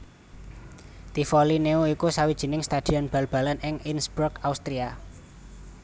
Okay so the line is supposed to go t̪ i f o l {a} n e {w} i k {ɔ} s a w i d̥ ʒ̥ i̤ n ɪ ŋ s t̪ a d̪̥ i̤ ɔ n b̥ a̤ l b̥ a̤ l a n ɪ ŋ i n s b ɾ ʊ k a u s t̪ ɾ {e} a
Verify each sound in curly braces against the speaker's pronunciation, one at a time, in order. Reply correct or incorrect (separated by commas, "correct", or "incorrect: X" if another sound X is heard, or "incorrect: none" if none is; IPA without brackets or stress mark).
incorrect: i, incorrect: u, incorrect: u, incorrect: i